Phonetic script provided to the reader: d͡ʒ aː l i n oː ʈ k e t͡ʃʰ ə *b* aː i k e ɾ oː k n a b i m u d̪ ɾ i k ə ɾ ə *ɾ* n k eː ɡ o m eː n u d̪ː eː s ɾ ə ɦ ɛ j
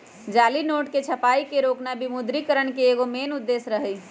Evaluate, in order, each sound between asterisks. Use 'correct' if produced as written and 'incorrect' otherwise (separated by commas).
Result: incorrect, incorrect